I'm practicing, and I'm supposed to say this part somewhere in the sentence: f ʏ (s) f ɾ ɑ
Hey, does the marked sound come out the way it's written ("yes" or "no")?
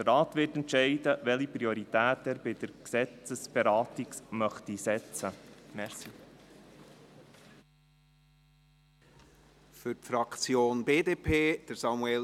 no